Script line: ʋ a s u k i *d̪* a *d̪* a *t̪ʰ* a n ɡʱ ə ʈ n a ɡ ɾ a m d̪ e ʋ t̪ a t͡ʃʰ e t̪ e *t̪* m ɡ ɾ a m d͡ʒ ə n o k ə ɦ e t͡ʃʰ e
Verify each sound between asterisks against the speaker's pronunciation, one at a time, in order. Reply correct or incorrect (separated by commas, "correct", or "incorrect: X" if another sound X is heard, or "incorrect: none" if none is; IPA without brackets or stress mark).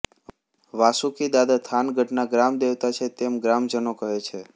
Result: correct, correct, correct, incorrect: none